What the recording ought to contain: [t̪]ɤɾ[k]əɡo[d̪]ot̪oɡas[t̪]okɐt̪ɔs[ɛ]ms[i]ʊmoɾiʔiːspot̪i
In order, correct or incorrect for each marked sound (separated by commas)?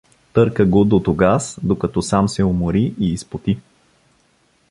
correct, correct, correct, incorrect, incorrect, incorrect